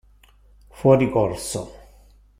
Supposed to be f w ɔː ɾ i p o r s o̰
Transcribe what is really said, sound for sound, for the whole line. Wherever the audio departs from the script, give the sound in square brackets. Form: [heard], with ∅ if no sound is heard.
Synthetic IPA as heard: f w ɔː ɾ i [k] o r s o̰